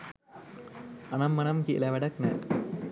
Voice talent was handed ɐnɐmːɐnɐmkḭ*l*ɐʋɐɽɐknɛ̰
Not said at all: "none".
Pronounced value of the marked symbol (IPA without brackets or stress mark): l